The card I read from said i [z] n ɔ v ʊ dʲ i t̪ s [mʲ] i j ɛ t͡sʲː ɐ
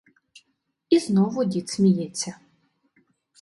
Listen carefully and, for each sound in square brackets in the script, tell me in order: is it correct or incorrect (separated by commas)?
correct, correct